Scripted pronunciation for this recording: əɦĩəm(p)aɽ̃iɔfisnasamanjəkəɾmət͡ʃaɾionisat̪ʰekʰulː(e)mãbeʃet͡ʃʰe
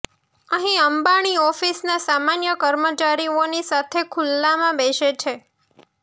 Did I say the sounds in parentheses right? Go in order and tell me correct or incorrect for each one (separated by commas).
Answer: incorrect, incorrect